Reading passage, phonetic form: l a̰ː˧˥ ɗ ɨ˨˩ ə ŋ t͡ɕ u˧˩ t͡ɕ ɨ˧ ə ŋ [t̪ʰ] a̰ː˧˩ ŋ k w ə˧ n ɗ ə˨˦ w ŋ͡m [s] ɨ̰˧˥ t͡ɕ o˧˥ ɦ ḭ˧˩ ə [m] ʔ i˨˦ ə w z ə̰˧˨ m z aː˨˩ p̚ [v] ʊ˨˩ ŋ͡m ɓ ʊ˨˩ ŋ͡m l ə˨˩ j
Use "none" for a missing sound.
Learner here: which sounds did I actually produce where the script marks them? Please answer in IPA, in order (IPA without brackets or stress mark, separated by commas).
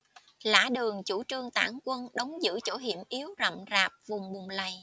t̪, z, m, v